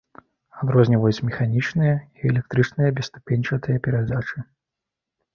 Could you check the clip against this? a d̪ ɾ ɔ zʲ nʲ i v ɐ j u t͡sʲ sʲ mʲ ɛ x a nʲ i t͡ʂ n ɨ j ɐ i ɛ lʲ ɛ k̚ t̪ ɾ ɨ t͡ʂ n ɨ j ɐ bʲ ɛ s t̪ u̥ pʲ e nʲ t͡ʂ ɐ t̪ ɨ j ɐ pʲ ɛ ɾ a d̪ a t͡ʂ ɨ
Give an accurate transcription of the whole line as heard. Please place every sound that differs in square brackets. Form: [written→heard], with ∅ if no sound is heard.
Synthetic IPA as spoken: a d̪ ɾ ɔ zʲ nʲ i v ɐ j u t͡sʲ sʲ mʲ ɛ x a nʲ i t͡ʂ n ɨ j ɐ i ɛ lʲ ɛ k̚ t̪ ɾ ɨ t͡ʂ n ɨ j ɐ bʲ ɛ s t̪ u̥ pʲ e nʲ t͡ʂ ɐ t̪ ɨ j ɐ pʲ ɛ ɾ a d̪ a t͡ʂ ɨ